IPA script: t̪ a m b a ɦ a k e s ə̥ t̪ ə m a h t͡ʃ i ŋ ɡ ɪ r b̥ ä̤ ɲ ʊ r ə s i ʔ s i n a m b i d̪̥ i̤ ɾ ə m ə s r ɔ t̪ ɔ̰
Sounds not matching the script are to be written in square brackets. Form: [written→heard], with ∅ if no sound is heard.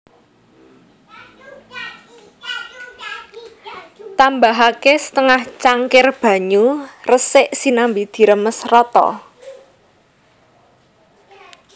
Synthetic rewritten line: t̪ a m b a ɦ a k e s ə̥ t̪ ə [m→ŋ] a h t͡ʃ [i→a] ŋ [ɡ→k] ɪ r b̥ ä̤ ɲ [ʊ→u] r ə s [i→ɪ] ʔ s i n a m b i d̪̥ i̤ ɾ ə m ə s r ɔ t̪ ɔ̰